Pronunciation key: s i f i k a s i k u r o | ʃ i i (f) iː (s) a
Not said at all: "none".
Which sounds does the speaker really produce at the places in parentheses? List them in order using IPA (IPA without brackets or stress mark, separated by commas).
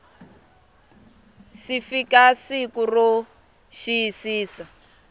s, s